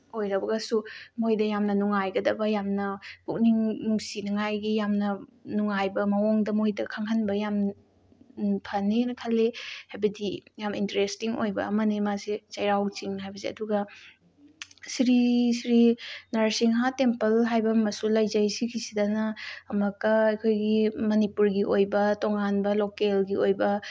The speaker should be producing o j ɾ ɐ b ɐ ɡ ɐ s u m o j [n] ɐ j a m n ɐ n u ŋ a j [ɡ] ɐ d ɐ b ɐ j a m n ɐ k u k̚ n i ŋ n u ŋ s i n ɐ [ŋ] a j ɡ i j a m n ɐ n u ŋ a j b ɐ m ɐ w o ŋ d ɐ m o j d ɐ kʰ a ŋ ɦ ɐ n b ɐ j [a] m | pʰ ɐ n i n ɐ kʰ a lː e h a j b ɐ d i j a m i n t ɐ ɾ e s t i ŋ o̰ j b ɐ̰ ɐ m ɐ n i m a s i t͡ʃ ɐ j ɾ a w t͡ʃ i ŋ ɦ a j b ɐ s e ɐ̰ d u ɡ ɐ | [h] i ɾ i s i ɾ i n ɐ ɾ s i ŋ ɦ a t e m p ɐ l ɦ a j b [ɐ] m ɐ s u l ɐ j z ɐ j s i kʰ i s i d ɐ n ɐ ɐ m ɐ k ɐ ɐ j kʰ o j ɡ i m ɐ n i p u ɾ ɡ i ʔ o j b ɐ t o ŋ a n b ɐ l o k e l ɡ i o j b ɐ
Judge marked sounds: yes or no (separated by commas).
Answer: no, yes, yes, yes, no, yes